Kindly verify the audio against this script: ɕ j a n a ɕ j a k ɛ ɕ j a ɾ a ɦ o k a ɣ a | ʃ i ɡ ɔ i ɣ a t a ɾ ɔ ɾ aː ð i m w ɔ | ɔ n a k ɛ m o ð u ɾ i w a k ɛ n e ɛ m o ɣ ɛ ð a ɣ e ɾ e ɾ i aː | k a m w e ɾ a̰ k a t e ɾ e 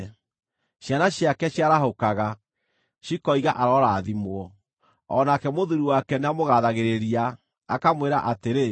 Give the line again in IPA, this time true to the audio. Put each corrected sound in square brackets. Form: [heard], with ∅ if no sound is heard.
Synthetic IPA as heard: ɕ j a n a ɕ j a k ɛ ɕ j a ɾ a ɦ o k a ɣ a | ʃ i [k] ɔ i ɣ a [ʔ] a ɾ ɔ ɾ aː ð i m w ɔ | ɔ n a k ɛ m o ð u ɾ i w a k ɛ n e [a] m o ɣ [a] ð a ɣ e ɾ e ɾ i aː | k a m w e ɾ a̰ [ʔ] a t e ɾ e